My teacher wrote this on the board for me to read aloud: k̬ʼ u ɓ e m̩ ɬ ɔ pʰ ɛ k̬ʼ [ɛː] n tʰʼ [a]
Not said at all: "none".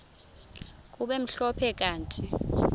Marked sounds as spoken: aː, i

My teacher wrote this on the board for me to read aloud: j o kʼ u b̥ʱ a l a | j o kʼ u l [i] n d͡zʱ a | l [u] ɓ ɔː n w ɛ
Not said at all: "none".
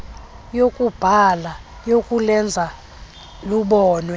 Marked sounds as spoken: ɛ, u

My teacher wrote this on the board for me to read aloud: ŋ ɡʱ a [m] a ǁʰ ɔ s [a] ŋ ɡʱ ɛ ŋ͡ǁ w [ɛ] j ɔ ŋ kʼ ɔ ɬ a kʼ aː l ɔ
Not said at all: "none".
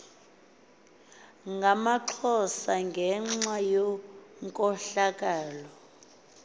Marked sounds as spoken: m, a, a

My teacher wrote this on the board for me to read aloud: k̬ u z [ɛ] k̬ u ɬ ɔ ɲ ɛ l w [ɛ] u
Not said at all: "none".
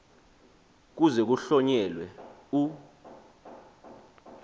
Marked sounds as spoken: ɛ, ɛ

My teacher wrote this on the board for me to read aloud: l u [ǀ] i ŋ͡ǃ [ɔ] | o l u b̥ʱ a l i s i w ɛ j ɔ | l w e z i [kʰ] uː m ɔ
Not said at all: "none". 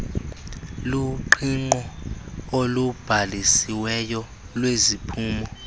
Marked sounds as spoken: ǃ, ɔ, pʰ

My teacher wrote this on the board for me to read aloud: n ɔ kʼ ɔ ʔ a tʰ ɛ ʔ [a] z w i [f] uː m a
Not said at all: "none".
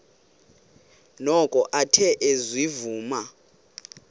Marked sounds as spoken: e, v

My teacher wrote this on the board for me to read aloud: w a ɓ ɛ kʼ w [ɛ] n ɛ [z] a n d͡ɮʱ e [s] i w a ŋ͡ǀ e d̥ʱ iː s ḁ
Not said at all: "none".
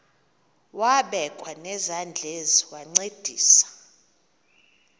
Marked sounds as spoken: a, z, z

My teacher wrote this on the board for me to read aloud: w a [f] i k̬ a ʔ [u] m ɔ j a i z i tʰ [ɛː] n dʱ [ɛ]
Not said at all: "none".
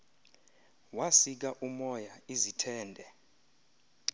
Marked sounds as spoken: s, u, ɛː, ɛ

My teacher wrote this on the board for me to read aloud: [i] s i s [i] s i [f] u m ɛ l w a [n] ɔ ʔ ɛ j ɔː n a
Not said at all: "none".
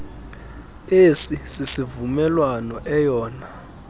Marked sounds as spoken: e, i, v, n

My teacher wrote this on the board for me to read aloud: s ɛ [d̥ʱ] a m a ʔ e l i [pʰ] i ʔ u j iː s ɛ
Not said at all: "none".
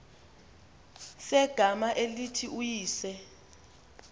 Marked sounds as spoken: ɡ̥ʱ, tʰ

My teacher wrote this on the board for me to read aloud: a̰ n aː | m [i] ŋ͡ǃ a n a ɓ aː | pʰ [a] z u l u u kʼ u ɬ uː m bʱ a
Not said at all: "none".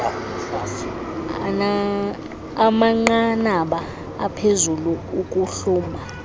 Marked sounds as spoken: a, e

